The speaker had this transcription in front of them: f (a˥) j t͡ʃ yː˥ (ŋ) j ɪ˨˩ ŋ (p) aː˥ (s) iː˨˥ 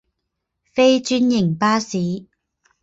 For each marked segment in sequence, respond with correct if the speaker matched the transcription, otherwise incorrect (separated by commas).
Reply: incorrect, incorrect, correct, correct